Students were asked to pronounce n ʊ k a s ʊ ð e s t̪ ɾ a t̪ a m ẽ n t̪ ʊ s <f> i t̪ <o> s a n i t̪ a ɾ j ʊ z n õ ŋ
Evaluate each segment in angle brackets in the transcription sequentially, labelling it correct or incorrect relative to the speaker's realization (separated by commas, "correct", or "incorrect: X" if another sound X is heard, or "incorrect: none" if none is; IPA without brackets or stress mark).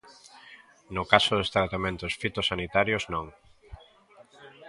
correct, correct